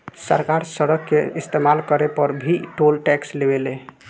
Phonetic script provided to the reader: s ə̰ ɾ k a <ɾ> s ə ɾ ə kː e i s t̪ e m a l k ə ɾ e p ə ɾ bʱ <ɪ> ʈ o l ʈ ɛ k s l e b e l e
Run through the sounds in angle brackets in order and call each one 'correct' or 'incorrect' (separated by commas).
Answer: correct, incorrect